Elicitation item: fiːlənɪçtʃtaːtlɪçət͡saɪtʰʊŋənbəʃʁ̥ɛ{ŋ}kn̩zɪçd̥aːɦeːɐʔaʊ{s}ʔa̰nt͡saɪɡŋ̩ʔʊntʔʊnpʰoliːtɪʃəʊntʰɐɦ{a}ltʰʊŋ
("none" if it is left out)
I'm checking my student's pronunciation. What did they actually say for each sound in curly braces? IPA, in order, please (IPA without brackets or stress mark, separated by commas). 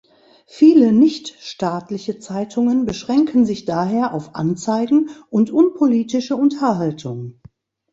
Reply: ŋ, f, a